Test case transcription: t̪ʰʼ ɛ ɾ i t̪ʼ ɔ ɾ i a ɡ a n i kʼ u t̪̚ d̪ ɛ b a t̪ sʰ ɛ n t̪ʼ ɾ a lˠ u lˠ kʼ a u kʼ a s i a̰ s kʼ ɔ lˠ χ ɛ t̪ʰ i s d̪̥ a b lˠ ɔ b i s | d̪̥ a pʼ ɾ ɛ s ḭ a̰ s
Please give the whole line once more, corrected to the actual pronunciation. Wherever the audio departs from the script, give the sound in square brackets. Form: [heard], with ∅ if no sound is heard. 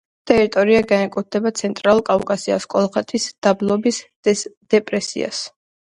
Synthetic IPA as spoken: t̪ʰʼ ɛ ɾ i t̪ʼ ɔ ɾ i a ɡ a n [ɛ] kʼ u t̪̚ d̪ ɛ b a t̪ sʰ ɛ n t̪ʼ ɾ a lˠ u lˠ kʼ a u kʼ a s i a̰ s kʼ ɔ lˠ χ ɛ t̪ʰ i s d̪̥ a b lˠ ɔ b i s | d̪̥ [ɛ] pʼ ɾ ɛ s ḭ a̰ s